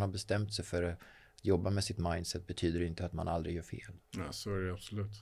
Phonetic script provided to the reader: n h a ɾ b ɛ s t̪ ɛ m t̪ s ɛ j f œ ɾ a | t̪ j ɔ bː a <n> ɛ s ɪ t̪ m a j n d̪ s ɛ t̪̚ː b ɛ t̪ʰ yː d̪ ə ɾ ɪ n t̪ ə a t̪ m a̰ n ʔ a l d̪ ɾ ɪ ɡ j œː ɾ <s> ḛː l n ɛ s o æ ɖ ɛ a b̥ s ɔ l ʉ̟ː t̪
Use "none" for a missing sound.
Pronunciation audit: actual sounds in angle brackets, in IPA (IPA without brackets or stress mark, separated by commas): m, f